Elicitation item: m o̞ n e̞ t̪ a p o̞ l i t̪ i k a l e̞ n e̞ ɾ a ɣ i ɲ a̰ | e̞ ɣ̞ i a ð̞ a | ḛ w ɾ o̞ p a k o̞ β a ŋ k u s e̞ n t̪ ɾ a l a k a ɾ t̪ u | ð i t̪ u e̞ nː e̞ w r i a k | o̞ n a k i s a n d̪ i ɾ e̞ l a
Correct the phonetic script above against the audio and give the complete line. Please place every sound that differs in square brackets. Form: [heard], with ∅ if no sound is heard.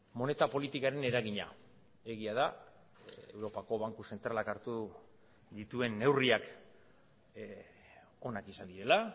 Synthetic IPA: m o̞ n e̞ t̪ a p o̞ l i t̪ i k a [ɾ] e̞ n e̞ ɾ a ɣ i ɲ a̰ | e̞ ɣ̞ i a ð̞ a | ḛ w ɾ o̞ p a k o̞ β a ŋ k u s e̞ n t̪ ɾ a l a k a ɾ t̪ u | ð i t̪ u e̞ nː e̞ w r i a k | o̞ n a k i s a n d̪ i ɾ e̞ l a